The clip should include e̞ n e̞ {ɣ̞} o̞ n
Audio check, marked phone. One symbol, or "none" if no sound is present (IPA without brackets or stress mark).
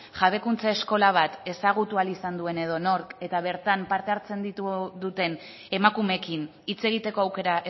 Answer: ð̞